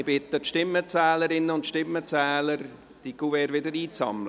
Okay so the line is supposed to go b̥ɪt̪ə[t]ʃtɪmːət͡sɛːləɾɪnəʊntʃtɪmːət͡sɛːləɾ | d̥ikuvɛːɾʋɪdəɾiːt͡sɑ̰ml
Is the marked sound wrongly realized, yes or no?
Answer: no